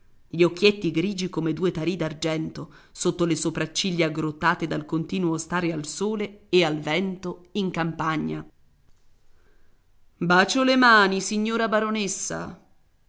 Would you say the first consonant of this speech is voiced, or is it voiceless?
voiced